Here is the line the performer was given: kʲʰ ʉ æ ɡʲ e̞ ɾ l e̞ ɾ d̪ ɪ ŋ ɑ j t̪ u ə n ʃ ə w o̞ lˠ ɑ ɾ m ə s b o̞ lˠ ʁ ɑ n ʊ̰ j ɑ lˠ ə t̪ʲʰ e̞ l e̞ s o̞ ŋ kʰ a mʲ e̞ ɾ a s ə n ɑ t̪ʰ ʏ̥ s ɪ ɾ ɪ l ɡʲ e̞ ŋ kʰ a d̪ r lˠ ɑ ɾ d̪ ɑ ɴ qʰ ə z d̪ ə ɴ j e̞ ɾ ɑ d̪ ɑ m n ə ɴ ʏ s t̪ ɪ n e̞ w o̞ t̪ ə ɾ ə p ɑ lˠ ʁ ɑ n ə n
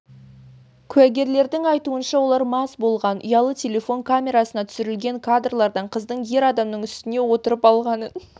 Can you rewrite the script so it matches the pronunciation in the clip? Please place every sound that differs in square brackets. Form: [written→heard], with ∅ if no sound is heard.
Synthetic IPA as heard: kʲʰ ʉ æ ɡʲ e̞ ɾ l e̞ ɾ d̪ ɪ ŋ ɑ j t̪ u ə n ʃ [ə→ɑ] w o̞ lˠ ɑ ɾ m [ə→ɑ] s b o̞ lˠ ʁ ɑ n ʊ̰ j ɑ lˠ ə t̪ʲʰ e̞ l e̞ [s→f] o̞ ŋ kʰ a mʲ e̞ ɾ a s ə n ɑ t̪ʰ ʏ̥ s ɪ ɾ ɪ l ɡʲ e̞ ŋ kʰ a d̪ r lˠ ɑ ɾ d̪ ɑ ɴ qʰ ə z d̪ ə ɴ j e̞ ɾ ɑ d̪ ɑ m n ə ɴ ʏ s t̪ ɪ n e̞ w o̞ t̪ ə ɾ ə p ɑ lˠ ʁ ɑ n ə n